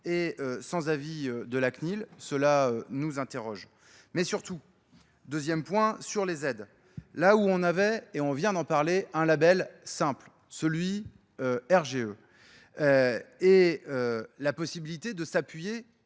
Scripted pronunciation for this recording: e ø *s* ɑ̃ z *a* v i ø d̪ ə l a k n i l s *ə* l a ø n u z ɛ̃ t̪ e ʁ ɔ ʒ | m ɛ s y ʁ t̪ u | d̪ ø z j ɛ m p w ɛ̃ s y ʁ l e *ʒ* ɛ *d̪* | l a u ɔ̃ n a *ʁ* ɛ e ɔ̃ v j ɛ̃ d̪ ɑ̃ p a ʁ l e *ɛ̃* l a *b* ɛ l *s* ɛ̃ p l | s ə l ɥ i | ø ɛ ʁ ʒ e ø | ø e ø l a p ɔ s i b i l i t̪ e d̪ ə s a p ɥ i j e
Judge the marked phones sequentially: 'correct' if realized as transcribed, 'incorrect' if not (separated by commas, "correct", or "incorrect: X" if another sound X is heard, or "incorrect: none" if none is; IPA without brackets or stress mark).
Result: correct, correct, correct, incorrect: z, correct, incorrect: v, correct, correct, correct